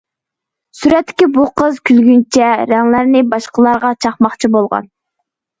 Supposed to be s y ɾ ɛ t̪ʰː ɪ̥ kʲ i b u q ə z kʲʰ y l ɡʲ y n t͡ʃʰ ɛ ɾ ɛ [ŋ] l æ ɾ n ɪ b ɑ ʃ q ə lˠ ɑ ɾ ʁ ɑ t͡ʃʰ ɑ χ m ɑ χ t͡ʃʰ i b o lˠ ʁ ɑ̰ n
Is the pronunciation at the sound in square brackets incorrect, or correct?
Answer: correct